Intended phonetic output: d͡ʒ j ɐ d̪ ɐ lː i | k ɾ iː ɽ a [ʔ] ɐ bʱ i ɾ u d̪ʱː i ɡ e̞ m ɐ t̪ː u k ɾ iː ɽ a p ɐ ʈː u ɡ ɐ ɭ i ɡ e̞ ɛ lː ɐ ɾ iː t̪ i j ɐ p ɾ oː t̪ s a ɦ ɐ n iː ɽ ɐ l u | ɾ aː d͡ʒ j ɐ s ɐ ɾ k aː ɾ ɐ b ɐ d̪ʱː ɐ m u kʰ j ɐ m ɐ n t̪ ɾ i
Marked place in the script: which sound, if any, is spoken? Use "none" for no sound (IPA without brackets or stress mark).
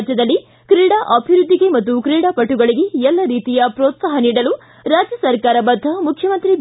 ʔ